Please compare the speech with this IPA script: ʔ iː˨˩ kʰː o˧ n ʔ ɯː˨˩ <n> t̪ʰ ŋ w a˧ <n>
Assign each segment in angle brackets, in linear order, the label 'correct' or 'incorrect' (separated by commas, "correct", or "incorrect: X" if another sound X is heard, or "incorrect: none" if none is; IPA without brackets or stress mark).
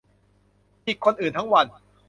correct, correct